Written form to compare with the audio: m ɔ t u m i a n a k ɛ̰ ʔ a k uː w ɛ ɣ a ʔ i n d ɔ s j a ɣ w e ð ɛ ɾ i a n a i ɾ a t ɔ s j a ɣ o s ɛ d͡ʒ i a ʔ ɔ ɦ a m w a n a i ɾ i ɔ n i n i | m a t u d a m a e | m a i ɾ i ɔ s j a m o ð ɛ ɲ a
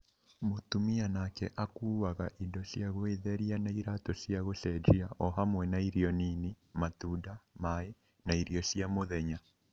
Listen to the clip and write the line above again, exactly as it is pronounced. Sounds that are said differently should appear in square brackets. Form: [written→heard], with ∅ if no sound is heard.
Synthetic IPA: m [ɔ→o] t u m i a n a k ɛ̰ ʔ a k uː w [ɛ→a] ɣ a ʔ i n d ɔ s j a ɣ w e ð ɛ ɾ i a n a i ɾ a t ɔ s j a ɣ o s ɛ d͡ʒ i a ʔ ɔ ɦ a m w [a→ɛ] n a i ɾ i ɔ n i n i | m a t u d a m a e | [m→n] a i ɾ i ɔ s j a m o ð ɛ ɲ a